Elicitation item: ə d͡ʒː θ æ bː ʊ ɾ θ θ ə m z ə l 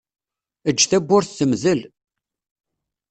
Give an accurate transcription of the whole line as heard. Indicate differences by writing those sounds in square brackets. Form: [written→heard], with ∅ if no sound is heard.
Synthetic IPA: ə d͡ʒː θ æ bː ʊ ɾ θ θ ə m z ə l